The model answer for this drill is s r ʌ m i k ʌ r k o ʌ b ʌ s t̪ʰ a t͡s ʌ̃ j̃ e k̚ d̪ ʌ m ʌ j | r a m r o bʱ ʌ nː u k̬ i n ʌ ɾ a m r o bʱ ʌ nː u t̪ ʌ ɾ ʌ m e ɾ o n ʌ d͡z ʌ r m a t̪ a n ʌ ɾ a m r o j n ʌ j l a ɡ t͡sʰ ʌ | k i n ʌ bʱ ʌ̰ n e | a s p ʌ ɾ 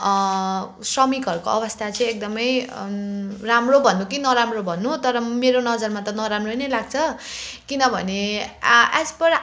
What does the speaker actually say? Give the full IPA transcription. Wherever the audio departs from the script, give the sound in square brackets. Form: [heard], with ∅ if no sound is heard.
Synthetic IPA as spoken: s r ʌ m i k ʌ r k o ʌ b ʌ s t̪ʰ a t͡s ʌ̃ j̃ e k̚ d̪ ʌ m ʌ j | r a m r o bʱ ʌ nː u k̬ i n ʌ ɾ a m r o bʱ ʌ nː u t̪ ʌ ɾ ʌ m e ɾ o n ʌ d͡z ʌ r m a t̪ [ʌ] n ʌ ɾ a m r o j n ʌ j l a ɡ t͡sʰ ʌ | k i n ʌ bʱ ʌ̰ n e | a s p ʌ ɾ